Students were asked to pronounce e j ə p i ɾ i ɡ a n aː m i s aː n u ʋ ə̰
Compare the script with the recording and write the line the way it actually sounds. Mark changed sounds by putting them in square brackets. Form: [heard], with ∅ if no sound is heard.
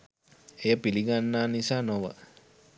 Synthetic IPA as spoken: e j ə p i [l] i ɡ a [nː] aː [n] i s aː n [o] ʋ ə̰

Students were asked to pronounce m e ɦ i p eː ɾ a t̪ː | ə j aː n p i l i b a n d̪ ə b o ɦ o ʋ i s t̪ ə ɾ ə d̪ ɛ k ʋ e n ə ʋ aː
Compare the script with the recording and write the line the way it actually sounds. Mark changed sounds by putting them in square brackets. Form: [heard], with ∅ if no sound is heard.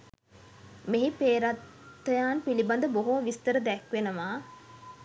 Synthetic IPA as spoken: m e ɦ i p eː ɾ a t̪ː | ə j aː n p i l i b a n d̪ ə b o ɦ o ʋ i s t̪ ə ɾ ə d̪ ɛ k ʋ e n ə ʋ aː

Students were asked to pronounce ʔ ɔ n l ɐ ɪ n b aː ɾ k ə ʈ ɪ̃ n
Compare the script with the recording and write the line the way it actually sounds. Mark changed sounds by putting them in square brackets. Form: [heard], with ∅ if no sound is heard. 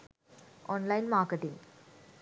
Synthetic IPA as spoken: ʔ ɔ n l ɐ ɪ n [m] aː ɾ k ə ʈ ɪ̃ [ŋ]

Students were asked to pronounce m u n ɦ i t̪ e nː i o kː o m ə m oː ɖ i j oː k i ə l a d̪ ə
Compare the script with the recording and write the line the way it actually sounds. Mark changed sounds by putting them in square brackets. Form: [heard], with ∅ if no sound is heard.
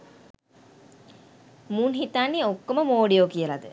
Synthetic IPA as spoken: m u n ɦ i t̪ [a] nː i o kː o m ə m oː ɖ i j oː k i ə l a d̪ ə

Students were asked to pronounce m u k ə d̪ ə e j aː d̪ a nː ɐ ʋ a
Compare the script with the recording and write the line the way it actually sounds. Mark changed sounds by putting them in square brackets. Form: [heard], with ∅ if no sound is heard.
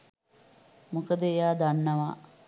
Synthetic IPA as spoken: m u k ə d̪ ə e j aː d̪ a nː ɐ ʋ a

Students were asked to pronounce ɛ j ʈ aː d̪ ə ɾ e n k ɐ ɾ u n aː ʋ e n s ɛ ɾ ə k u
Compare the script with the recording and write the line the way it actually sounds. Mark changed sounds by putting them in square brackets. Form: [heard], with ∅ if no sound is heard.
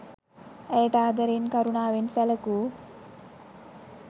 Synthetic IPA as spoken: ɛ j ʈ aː d̪ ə ɾ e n k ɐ ɾ u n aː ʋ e n s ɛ [l] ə k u

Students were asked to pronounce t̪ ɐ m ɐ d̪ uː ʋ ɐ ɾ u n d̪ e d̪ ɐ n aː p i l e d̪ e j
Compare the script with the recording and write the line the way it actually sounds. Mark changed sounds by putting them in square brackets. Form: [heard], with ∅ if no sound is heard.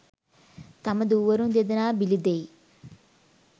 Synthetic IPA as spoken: t̪ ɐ m ɐ d̪ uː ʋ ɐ ɾ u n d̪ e d̪ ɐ n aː [b] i l [i] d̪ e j

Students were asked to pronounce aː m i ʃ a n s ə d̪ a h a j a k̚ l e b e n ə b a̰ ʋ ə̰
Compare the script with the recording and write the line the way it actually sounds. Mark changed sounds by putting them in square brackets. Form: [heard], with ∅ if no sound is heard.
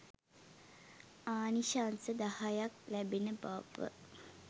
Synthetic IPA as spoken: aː [n] i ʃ a n s ə d̪ a h a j a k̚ l [æ] b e n ə b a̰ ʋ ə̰

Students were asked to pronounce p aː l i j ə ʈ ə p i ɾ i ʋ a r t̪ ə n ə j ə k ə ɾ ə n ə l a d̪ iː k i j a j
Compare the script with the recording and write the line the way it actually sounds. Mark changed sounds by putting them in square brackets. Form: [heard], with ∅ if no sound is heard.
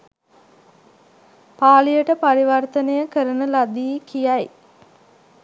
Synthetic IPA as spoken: p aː l i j ə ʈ ə p [a] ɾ i ʋ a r t̪ ə n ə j ə k ə ɾ ə n ə l a d̪ iː k i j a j

